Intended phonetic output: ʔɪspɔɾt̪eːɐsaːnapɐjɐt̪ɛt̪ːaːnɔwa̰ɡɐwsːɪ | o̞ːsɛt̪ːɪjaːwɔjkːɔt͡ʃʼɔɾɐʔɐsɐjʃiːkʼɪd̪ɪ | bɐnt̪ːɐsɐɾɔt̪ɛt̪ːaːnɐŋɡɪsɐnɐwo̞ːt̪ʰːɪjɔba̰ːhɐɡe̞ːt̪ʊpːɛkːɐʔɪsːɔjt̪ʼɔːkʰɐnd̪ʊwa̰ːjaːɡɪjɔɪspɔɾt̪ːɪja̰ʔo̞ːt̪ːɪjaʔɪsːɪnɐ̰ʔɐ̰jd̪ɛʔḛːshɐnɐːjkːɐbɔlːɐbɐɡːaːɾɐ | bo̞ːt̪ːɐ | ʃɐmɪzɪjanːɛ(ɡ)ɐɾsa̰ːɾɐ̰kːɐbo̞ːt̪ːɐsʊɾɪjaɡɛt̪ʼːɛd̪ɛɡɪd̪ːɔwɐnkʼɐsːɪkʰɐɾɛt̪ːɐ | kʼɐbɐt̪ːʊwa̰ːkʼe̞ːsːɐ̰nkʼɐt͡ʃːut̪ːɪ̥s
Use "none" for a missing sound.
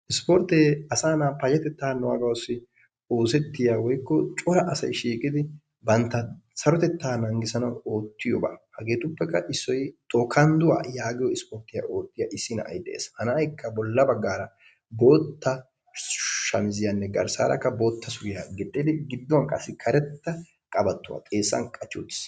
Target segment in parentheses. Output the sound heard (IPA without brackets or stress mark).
ɡ